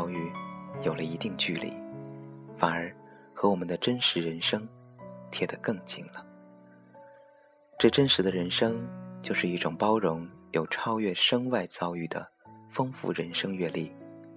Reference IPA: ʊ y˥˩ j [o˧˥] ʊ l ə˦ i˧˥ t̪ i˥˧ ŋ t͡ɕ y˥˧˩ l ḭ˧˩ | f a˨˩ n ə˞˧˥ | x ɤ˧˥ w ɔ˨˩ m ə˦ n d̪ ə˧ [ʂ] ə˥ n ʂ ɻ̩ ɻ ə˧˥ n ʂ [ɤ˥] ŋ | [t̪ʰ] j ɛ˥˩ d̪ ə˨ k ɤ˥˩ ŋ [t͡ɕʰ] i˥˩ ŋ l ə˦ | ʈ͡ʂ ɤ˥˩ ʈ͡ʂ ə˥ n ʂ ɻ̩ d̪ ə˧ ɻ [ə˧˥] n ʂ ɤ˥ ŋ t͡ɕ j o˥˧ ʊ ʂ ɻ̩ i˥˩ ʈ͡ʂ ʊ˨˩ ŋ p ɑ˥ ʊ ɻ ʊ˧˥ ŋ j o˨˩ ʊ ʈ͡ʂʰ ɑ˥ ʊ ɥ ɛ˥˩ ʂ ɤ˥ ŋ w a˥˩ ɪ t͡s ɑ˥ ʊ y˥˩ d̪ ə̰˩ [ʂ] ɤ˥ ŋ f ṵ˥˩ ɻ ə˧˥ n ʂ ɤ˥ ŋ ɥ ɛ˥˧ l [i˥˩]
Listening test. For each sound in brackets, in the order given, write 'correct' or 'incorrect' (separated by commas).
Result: incorrect, incorrect, correct, correct, incorrect, correct, incorrect, correct